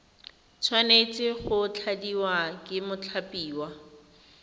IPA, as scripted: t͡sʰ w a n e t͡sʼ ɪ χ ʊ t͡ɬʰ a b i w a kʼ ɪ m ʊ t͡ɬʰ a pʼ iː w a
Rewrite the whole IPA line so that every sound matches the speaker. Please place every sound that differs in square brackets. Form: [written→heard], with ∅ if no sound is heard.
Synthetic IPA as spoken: t͡sʰ w a n e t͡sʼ ɪ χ ʊ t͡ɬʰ a [b→d] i w a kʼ ɪ m ʊ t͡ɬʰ a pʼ iː w a